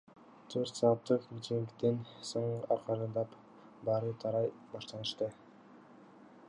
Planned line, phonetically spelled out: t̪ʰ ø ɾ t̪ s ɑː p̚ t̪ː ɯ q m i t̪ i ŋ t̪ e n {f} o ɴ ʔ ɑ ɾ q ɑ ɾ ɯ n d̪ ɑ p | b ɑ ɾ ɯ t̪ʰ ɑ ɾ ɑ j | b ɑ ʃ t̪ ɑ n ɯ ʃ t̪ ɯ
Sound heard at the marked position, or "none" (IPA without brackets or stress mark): s